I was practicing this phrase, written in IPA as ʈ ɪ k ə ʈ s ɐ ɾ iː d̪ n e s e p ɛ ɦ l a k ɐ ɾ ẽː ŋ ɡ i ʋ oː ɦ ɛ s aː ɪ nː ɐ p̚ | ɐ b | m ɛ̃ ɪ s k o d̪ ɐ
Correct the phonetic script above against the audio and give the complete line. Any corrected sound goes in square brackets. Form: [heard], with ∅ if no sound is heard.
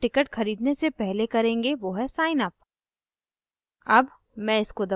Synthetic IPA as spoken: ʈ ɪ k ə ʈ [x] ɐ ɾ iː d̪ n e s e p ɛ ɦ l [e] k ɐ ɾ ẽː ŋ ɡ [e] ʋ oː ɦ ɛ s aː ɪ [n] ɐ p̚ | ɐ b | m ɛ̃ ɪ s k o d̪ ɐ